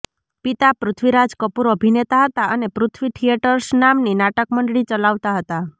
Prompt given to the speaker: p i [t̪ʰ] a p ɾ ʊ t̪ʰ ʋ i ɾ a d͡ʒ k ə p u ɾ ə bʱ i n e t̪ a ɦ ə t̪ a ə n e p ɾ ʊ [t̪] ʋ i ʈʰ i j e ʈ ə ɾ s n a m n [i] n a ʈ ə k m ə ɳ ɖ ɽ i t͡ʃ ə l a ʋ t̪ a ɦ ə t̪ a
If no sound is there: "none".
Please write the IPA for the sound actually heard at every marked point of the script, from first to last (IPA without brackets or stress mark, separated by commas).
t̪, t̪ʰ, i